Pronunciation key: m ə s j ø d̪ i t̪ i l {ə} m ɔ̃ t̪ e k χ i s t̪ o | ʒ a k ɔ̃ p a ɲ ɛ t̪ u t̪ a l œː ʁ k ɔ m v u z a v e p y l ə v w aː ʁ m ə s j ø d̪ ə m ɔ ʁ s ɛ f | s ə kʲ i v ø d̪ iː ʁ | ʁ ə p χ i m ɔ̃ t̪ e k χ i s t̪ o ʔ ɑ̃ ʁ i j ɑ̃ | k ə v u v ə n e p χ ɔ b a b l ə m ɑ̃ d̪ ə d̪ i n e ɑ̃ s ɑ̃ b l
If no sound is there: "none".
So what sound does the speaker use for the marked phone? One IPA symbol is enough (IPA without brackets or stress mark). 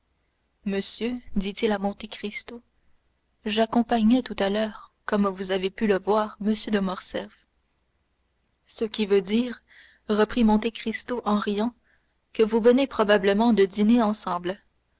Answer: a